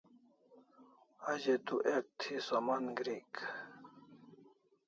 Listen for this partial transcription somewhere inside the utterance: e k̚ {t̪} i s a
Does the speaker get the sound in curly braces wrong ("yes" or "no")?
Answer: yes